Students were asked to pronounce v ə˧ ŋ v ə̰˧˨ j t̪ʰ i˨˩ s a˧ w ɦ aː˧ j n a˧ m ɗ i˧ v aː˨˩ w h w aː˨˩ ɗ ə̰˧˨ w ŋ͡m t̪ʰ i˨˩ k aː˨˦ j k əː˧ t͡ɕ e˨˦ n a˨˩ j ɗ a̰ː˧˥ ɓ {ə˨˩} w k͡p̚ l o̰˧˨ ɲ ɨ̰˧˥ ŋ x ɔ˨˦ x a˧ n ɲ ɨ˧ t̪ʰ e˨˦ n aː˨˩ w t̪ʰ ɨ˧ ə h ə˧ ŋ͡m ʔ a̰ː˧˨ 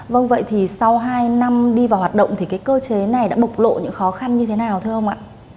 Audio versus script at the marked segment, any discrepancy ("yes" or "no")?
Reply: no